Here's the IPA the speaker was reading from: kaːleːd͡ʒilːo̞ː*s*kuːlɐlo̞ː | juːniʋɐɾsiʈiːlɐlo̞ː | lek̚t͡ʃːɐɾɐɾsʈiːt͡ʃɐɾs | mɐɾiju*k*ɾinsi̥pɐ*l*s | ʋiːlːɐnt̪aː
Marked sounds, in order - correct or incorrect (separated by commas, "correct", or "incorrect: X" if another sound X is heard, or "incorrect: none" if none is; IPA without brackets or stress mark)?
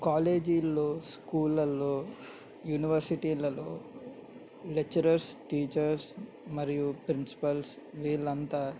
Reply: correct, incorrect: p, correct